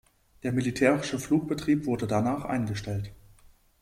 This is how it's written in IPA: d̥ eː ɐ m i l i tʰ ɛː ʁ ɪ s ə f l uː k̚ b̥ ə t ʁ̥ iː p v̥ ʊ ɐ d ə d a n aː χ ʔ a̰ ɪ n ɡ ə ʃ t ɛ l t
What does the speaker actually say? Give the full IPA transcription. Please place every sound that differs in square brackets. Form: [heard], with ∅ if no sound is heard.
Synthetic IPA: d̥ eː ɐ m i l i tʰ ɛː ʁ ɪ [ʃ] ə f l uː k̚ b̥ ə t ʁ̥ iː p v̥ ʊ ɐ d ə d a n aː χ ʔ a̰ ɪ n ɡ ə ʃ t ɛ l t